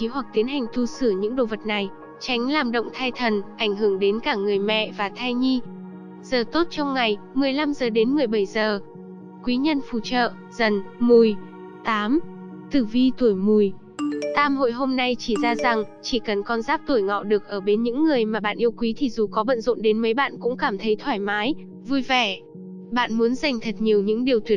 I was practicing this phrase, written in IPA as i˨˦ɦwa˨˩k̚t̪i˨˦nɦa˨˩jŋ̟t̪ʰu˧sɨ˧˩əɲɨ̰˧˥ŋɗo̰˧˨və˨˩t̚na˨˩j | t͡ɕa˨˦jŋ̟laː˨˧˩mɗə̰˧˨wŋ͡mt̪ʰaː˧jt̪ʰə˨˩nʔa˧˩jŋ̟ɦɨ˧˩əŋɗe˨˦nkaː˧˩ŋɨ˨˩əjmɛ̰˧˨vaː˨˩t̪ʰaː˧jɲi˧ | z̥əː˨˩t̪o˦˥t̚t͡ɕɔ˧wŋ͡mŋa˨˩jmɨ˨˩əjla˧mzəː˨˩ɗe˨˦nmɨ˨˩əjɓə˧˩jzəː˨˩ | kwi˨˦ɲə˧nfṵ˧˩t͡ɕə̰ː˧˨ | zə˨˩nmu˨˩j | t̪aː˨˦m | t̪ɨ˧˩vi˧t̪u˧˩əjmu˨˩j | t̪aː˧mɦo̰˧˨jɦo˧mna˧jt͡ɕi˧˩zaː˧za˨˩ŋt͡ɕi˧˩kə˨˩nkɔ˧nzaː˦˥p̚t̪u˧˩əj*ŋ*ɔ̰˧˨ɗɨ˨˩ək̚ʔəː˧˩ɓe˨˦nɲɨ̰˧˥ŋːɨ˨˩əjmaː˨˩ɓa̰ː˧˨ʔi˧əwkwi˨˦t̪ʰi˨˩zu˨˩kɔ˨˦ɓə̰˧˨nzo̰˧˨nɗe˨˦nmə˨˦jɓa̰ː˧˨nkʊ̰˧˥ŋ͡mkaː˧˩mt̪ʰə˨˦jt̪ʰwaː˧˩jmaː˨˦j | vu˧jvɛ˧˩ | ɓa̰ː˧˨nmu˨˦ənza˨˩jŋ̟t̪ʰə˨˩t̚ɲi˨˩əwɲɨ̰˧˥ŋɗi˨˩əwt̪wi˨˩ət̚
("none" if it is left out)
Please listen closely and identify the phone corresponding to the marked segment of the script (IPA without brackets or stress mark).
ŋ